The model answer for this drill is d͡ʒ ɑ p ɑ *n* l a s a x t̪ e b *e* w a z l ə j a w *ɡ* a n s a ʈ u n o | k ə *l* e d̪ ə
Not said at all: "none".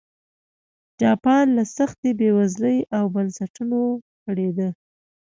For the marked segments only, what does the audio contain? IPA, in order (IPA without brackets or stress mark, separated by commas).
n, e, b, ɽ